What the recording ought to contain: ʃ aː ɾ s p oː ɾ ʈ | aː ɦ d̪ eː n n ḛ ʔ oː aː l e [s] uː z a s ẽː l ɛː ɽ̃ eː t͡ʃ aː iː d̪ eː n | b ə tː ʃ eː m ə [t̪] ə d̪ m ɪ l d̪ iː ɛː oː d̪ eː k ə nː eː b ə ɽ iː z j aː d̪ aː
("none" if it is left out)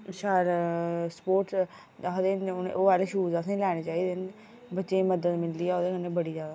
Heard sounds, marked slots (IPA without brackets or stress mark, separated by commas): ʃ, d̪